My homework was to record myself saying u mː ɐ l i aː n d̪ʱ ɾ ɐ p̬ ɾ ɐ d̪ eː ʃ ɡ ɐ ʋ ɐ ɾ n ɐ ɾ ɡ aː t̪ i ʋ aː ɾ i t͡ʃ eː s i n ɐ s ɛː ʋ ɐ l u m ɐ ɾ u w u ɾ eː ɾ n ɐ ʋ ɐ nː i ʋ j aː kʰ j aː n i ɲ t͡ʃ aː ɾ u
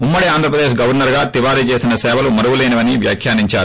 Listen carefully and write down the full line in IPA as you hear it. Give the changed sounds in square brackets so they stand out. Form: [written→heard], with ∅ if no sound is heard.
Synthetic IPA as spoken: u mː ɐ [l→ɽ] i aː n d̪ʱ ɾ ɐ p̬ ɾ ɐ d̪ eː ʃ ɡ ɐ ʋ ɐ ɾ n ɐ ɾ ɡ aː t̪ i ʋ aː ɾ i t͡ʃ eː s i n ɐ s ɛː ʋ ɐ l u m ɐ ɾ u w u [ɾ→l] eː [ɾ→∅] n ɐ ʋ ɐ [nː→n] i ʋ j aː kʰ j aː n i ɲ t͡ʃ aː ɾ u